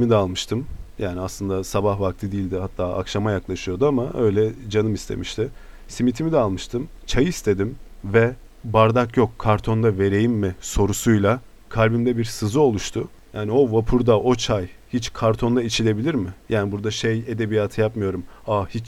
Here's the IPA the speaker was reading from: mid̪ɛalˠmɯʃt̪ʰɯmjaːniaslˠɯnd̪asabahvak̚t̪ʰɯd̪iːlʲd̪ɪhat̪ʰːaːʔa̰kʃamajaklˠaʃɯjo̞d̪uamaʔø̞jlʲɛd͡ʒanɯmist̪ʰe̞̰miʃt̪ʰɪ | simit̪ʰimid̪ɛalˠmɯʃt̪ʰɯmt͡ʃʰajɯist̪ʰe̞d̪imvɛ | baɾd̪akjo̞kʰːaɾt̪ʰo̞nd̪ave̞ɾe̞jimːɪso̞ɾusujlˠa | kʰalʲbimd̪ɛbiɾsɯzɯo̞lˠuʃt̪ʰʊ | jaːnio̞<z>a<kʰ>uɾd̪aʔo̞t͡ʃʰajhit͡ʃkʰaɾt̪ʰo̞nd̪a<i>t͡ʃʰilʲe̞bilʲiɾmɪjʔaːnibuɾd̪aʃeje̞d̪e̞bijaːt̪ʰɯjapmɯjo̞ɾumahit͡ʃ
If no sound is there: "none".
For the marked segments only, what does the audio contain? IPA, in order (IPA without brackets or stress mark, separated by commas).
v, pʰ, i